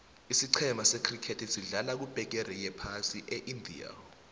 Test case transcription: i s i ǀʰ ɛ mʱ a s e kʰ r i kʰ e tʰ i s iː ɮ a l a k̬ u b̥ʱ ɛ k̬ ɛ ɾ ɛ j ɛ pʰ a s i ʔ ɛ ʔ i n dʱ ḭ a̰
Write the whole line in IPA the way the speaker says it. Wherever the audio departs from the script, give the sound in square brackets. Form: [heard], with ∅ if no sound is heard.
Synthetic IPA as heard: i s i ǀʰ ɛ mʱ a s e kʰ r i kʰ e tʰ i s [i] ɮ a l a k̬ u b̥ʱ ɛ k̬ ɛ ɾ ɛ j ɛ pʰ a s i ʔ ɛ ʔ i n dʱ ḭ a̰